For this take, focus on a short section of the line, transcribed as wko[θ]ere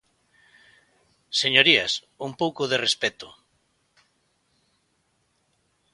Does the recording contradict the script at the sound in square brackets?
yes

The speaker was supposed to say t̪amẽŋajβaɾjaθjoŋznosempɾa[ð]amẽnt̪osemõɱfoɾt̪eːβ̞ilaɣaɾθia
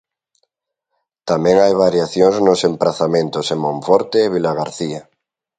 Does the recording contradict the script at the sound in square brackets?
yes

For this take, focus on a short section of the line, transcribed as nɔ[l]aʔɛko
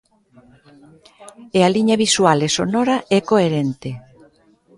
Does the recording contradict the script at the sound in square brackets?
yes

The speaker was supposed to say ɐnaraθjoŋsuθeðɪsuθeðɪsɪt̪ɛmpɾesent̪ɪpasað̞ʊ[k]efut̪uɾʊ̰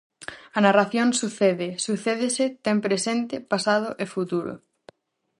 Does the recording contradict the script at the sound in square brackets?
yes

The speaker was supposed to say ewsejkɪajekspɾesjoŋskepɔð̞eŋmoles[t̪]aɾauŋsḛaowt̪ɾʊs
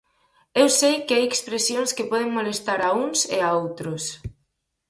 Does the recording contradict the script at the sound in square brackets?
no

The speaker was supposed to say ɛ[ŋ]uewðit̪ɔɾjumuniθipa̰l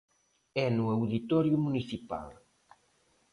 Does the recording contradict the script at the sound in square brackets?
yes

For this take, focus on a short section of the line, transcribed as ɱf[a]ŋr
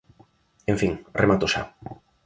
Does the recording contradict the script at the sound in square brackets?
yes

